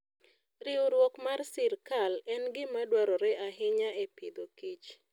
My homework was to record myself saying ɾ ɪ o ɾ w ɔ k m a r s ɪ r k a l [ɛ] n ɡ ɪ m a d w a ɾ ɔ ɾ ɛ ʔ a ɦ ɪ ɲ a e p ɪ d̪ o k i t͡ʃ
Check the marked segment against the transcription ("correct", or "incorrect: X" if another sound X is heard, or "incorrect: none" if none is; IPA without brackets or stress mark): correct